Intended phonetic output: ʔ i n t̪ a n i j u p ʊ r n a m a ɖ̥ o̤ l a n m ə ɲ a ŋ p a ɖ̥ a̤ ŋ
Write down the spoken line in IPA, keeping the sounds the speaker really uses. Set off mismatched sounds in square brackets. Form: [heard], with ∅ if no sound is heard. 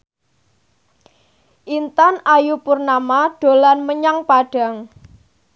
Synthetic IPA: ʔ i n t̪ a n [a] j u p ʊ r n a m a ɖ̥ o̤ l a n m ə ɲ a ŋ p a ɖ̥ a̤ ŋ

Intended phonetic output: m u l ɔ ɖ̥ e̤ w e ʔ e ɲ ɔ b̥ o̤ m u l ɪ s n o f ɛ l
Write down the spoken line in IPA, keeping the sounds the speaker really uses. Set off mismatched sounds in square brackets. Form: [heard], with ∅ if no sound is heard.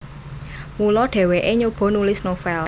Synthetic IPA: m u l ɔ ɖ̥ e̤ w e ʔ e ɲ [o] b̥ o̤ [n] u l ɪ s n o f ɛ l

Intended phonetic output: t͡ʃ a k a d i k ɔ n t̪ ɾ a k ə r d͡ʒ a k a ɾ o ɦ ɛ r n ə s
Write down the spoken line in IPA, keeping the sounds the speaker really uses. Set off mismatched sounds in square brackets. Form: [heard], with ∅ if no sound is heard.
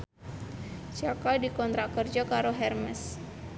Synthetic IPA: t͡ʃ a k a d i k ɔ n t̪ ɾ a k ə r d͡ʒ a k a ɾ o ɦ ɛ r [m] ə s

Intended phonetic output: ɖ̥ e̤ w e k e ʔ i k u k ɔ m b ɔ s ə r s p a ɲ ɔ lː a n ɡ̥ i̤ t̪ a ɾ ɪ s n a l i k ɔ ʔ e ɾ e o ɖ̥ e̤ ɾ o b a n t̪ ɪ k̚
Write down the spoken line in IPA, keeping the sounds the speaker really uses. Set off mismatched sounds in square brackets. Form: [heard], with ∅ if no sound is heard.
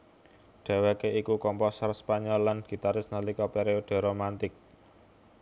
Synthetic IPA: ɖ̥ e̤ w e k e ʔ i k u k ɔ m [p] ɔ s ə r s p a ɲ ɔ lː a n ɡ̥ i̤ t̪ a ɾ ɪ s n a l i k ɔ [p] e ɾ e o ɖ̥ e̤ ɾ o [m] a n t̪ ɪ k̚

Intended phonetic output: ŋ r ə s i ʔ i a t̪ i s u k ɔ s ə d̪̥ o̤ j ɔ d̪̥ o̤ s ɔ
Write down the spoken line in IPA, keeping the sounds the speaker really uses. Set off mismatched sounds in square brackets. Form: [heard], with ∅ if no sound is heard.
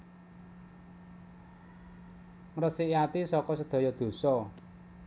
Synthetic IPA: ŋ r ə s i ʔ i a t̪ i s [ɔ] k ɔ s ə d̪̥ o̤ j ɔ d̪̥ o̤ s ɔ

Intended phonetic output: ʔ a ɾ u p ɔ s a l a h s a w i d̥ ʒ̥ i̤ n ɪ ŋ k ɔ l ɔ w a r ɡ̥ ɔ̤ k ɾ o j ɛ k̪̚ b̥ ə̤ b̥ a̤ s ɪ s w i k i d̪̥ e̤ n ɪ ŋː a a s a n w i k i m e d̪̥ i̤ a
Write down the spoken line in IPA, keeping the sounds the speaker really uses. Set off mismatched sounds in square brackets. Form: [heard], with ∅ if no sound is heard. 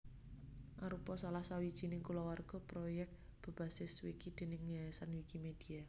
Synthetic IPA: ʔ a ɾ u p ɔ s a l a h s a w i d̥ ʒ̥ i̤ n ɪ ŋ k [u] l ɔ w a r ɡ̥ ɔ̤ [p] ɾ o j ɛ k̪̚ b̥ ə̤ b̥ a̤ s ɪ s w i k i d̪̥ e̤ n ɪ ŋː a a s a n w i k i m e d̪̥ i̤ a

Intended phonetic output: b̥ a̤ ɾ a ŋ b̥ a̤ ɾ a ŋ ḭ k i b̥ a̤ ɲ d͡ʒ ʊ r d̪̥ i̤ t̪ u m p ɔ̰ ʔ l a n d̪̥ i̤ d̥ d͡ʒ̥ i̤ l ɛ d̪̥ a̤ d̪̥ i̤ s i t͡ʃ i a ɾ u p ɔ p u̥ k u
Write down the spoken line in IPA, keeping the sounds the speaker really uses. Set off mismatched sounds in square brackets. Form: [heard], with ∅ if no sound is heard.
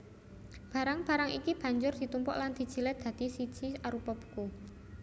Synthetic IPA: b̥ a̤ ɾ a ŋ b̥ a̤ ɾ a ŋ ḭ k i b̥ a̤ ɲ d͡ʒ ʊ r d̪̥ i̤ t̪ u m p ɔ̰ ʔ l a n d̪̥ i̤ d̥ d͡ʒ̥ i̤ l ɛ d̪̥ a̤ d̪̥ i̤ s i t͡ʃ i a ɾ u p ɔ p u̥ k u

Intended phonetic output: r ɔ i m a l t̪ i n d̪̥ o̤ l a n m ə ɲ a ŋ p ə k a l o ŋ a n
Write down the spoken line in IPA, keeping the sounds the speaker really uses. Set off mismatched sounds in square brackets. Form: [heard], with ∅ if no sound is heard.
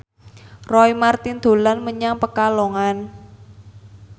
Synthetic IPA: r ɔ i m a [r] t̪ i n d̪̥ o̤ l a n m ə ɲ a ŋ p ə k a l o ŋ a n

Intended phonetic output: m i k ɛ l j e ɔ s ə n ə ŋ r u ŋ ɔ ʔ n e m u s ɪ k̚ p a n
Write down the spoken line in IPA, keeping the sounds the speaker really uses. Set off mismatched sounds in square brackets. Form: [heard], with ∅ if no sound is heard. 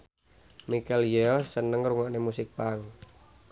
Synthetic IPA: m i k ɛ l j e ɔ s ə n ə ŋ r u ŋ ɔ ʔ n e m u s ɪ k̚ p a [ŋ]

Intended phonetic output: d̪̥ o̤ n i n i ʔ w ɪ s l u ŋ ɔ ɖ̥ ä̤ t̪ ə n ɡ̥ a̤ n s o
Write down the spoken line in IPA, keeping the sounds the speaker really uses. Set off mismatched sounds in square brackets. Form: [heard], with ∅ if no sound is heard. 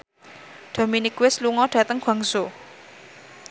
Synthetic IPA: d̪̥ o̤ [m] i n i [k] w ɪ s l u ŋ ɔ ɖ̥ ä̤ t̪ ə [ŋ] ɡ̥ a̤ [ŋ] s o

